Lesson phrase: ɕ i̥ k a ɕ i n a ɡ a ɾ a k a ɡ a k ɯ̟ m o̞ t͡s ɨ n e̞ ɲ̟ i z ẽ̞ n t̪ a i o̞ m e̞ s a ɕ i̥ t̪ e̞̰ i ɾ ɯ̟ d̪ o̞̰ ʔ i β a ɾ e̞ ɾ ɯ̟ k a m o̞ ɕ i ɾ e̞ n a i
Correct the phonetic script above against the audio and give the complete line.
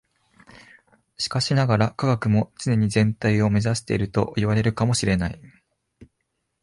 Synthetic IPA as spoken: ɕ i̥ k a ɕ i n a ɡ a ɾ a k a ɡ a k ɯ̟ m o̞ t͡s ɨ n e̞ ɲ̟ i z ẽ̞ n t̪ a i o̞ m e̞ z a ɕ i̥ t̪ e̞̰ i ɾ ɯ̟ t̪ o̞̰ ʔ i β a ɾ e̞ ɾ ɯ̟ k a m o̞ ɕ i ɾ e̞ n a i